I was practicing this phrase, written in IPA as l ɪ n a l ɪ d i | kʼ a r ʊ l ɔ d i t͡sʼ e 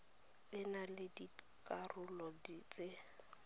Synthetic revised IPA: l ɪ n a l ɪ d i | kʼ a r ʊ l ɔ d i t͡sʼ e